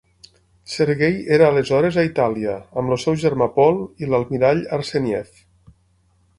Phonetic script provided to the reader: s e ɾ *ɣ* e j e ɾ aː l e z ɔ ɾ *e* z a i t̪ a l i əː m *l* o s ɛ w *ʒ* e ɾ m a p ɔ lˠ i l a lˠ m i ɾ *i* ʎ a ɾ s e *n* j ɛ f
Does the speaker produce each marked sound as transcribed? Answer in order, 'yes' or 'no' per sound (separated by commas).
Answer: yes, yes, yes, yes, no, yes